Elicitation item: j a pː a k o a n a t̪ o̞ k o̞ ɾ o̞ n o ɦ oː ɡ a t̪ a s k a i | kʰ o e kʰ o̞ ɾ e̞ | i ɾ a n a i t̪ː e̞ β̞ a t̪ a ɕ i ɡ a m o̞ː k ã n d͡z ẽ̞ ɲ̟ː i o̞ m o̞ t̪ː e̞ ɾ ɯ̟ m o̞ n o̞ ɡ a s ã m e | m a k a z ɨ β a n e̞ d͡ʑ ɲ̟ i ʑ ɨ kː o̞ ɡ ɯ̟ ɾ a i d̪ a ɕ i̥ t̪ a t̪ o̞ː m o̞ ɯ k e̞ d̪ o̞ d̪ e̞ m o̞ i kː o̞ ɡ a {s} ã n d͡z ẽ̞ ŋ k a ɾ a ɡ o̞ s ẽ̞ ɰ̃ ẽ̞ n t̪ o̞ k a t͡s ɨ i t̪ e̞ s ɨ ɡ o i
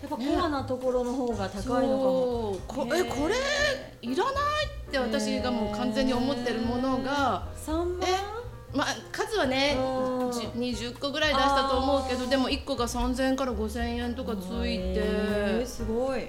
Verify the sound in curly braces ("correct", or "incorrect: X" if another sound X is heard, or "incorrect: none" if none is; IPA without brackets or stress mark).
correct